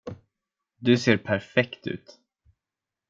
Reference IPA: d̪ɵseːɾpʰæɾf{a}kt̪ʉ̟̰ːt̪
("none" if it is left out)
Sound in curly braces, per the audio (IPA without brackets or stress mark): ɛ